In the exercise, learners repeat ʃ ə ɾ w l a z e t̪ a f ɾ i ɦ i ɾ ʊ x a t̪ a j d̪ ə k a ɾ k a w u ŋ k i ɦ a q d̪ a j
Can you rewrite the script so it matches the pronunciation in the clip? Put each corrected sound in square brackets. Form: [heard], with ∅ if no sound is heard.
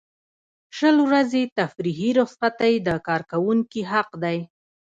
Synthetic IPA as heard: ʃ ə [l] w [ɾ] a z e t̪ a f ɾ i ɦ i ɾ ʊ [s] a t̪ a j d̪ ə k [ɑ] ɾ k a w u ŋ k i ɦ a q d̪ a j

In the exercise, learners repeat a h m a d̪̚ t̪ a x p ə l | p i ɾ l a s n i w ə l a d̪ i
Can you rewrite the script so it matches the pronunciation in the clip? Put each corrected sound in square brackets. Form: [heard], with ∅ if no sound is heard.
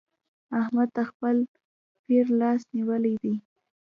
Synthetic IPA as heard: a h m a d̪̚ t̪ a x p ə l | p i ɾ l [ɑ] s n i w ə l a d̪ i

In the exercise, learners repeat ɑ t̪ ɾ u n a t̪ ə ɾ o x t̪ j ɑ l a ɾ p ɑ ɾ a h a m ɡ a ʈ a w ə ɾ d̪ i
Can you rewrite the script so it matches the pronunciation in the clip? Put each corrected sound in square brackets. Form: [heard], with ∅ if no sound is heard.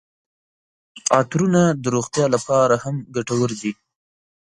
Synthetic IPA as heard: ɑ t̪ ɾ u n a [d̪] ə ɾ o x t̪ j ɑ l a [∅] p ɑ ɾ a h a m ɡ a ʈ a w ə ɾ d̪ i

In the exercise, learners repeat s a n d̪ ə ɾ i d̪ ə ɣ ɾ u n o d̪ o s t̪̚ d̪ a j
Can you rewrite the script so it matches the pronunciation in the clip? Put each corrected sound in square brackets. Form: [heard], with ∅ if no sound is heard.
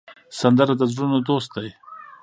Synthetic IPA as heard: s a n d̪ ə ɾ [a] d̪ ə [z] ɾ u n o d̪ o s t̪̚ d̪ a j

